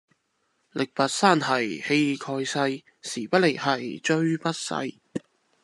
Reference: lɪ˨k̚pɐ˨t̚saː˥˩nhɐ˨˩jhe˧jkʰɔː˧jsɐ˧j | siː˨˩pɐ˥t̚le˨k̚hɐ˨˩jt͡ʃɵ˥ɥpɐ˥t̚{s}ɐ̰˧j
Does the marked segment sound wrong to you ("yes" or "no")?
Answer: no